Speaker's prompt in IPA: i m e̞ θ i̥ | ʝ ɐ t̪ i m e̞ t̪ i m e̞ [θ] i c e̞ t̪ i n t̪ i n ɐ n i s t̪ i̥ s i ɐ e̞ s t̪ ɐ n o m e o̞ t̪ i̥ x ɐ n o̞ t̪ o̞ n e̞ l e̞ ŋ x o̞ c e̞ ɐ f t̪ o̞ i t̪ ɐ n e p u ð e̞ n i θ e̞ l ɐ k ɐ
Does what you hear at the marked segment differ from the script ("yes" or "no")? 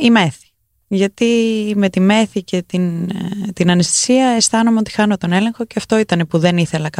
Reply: no